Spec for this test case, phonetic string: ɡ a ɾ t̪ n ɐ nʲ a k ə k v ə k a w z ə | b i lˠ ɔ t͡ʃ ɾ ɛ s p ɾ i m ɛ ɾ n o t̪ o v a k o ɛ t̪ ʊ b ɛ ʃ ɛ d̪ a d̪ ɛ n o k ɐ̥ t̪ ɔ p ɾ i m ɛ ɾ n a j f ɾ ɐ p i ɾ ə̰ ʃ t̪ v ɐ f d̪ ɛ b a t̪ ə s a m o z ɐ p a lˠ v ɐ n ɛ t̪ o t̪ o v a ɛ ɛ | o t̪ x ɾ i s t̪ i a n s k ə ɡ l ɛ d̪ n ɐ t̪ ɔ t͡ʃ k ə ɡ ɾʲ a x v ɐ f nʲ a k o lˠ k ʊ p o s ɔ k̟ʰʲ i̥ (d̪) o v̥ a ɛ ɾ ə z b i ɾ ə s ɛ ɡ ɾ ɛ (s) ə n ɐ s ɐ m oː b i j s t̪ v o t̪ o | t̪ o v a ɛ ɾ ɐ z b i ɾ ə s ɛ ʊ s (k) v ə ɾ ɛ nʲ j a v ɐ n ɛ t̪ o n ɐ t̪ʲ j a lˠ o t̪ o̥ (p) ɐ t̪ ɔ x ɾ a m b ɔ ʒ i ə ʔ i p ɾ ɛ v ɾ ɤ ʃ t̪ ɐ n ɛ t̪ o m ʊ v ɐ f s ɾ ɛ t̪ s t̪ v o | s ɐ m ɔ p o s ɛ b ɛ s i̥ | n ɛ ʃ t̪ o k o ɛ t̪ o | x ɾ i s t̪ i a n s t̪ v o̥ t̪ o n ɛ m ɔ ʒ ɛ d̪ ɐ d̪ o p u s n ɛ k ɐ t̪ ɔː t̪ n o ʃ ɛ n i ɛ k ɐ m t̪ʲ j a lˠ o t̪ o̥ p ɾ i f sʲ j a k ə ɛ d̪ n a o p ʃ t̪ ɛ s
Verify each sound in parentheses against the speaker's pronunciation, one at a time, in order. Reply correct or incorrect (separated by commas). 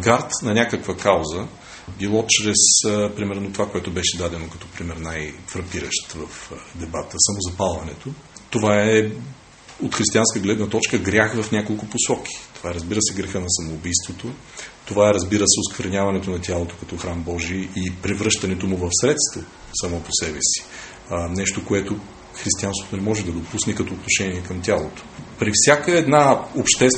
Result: incorrect, incorrect, correct, incorrect